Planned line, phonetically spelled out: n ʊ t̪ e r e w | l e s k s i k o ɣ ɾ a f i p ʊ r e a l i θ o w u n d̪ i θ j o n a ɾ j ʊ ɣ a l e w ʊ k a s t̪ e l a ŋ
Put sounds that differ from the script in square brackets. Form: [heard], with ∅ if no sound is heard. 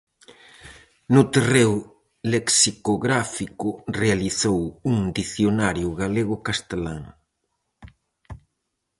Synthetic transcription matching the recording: n ʊ t̪ e r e w | l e [∅] k s i k o ɣ ɾ a f i [k] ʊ r e a l i θ o w u [ŋ] d̪ i θ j o n a ɾ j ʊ ɣ a l e [ɣ] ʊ k a s t̪ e l a ŋ